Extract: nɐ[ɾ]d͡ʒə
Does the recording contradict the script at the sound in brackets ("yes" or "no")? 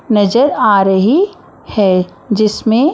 yes